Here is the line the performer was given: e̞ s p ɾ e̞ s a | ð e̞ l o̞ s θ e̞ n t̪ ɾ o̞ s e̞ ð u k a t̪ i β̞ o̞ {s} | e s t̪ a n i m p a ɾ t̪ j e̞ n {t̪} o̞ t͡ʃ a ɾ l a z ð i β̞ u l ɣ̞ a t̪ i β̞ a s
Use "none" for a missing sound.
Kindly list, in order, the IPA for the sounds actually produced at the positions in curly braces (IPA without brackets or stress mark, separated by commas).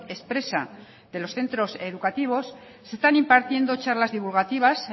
sː, d̪